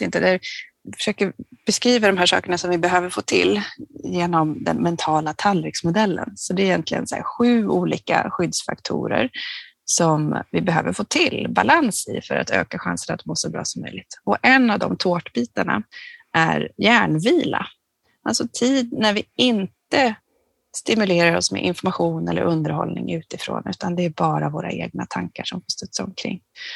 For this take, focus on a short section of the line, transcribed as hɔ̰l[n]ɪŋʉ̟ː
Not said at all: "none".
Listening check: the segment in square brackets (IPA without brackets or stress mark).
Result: n